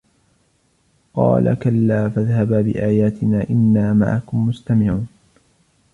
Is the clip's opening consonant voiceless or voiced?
voiceless